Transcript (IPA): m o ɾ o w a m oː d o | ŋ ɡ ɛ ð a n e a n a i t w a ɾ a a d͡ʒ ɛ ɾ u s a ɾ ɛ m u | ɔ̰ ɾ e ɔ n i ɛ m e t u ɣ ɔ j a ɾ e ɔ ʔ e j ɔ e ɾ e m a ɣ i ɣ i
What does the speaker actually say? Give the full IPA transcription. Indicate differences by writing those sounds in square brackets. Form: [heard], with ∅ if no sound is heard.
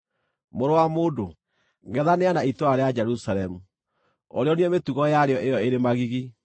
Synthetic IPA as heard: m o ɾ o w a m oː d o | ŋ ɡ ɛ ð a n e a n a i t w a ɾ [e] a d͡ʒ ɛ ɾ u s a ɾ ɛ m u | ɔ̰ ɾ e ɔ n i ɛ m e t u ɣ ɔ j a ɾ e ɔ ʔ e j ɔ e ɾ e m a ɣ i ɣ i